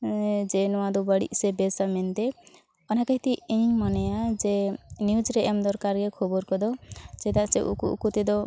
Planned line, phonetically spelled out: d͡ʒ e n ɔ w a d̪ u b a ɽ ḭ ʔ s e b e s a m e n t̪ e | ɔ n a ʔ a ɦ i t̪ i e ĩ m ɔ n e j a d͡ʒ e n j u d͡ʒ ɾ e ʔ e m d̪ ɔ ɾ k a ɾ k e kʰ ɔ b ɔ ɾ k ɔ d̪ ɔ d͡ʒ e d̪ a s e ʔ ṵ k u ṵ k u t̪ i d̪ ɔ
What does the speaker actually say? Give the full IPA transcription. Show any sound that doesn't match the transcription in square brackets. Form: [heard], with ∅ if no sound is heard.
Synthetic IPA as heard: d͡ʒ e n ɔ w a d̪ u b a ɽ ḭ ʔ s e b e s a m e n t̪ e | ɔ n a [k] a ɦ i t̪ i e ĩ m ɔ n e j a d͡ʒ e n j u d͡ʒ ɾ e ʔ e m d̪ ɔ ɾ k a ɾ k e kʰ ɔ b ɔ ɾ k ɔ d̪ ɔ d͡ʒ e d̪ a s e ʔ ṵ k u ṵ k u t̪ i d̪ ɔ